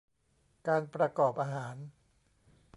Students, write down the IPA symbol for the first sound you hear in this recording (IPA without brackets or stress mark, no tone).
k